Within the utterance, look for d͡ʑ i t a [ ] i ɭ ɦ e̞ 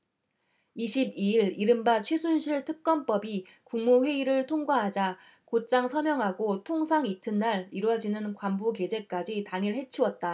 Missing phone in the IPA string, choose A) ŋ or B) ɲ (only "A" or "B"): A